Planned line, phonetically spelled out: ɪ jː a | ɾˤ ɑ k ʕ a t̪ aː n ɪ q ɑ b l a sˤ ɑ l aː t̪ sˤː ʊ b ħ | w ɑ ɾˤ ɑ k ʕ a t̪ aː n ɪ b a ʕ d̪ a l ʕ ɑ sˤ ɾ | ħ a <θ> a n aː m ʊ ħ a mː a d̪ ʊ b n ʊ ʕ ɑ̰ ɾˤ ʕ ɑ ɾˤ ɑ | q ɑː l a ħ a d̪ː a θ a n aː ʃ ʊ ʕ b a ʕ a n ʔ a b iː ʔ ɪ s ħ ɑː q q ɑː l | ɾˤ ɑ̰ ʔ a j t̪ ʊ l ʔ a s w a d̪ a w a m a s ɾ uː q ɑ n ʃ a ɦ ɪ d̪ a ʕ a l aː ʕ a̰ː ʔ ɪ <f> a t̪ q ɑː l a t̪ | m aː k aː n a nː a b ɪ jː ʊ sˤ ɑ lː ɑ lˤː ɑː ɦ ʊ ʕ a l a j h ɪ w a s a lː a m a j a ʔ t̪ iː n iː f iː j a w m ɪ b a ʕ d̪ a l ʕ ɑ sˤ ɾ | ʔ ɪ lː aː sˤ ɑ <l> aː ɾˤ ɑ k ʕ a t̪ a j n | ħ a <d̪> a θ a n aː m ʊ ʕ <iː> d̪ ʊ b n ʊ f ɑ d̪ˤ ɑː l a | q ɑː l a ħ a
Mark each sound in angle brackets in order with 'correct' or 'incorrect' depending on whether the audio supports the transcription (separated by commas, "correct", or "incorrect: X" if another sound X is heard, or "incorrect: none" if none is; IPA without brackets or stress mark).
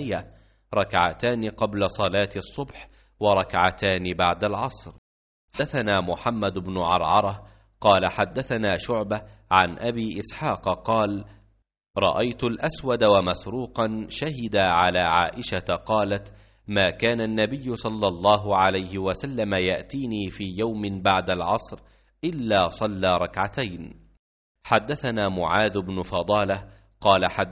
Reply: correct, incorrect: ʃ, incorrect: lː, incorrect: d̪ː, incorrect: aː